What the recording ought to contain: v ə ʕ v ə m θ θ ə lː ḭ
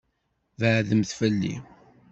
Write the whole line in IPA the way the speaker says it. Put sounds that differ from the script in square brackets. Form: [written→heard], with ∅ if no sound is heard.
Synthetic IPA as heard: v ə ʕ [v→ð] ə m θ [θ→f] ə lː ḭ